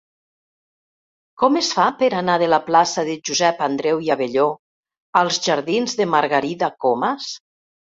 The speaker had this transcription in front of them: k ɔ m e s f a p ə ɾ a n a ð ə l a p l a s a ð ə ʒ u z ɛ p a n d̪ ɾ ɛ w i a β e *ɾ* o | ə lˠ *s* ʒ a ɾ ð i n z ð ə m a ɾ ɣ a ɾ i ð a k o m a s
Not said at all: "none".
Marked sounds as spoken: ʎ, z

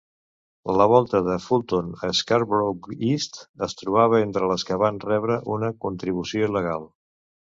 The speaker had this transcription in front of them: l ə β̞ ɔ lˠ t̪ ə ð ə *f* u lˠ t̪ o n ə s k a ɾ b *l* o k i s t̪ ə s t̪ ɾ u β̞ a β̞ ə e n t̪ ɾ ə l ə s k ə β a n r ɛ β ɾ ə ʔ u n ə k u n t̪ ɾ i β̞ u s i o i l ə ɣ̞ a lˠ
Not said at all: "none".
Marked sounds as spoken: f, ɾ

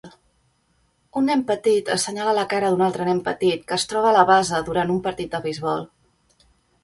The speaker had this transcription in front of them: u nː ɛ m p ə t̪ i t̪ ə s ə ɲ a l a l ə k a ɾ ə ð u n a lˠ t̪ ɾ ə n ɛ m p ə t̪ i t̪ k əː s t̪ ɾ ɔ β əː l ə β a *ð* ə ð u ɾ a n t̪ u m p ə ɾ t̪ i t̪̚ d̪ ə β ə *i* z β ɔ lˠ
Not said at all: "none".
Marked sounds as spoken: z, j

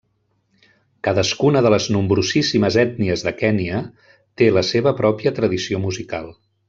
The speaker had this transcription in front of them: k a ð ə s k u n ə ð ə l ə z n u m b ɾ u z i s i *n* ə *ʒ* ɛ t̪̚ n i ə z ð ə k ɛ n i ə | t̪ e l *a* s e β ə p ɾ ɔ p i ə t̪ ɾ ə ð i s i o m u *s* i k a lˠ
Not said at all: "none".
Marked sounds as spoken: m, z, ə, z

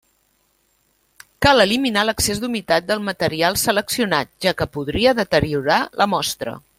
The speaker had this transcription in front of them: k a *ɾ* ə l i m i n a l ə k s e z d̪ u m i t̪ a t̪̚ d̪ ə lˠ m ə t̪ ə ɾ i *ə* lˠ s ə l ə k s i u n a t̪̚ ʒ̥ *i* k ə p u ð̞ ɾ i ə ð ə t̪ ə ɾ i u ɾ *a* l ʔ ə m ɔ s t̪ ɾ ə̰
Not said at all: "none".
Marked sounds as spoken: l, a, a, a

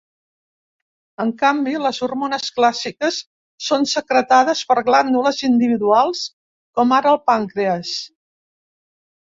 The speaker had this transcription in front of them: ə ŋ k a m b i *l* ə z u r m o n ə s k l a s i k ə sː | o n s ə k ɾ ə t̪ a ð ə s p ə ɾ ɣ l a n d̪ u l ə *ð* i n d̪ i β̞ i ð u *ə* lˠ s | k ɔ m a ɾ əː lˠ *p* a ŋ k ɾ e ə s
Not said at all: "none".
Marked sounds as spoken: l, z, a, p

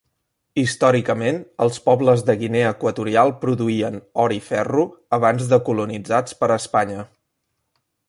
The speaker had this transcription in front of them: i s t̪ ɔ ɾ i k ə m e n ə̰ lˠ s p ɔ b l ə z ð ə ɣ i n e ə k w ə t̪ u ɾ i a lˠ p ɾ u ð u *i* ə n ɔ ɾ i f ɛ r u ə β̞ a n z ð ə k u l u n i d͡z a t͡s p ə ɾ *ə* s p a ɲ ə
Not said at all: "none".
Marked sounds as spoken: i, ə

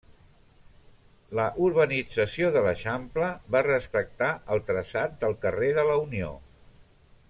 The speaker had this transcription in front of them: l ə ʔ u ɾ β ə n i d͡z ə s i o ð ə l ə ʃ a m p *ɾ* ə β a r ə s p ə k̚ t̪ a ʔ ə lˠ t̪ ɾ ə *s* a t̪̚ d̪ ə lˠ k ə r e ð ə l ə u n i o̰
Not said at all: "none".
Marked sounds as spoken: l, s

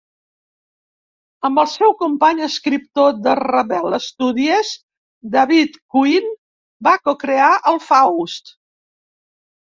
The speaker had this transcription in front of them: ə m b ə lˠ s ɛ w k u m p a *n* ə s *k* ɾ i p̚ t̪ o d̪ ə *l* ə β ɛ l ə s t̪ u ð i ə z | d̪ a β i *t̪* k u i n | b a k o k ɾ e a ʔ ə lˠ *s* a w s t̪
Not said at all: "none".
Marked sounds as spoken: ɲ, k, r, t̪, f

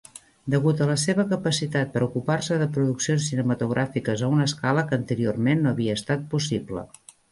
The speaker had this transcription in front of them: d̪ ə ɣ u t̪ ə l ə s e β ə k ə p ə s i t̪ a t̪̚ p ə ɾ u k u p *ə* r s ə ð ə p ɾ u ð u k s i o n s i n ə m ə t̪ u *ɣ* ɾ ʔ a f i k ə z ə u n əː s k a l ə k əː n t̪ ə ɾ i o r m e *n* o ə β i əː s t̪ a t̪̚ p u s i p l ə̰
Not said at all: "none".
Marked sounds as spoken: a, ɣ, nː

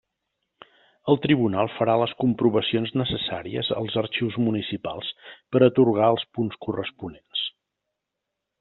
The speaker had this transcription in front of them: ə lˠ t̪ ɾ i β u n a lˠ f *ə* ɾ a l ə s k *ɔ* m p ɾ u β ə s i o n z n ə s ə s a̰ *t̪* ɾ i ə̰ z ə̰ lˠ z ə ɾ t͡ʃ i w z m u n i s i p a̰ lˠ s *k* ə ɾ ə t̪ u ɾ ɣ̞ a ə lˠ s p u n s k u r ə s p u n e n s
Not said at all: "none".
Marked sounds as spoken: ə, u, none, p

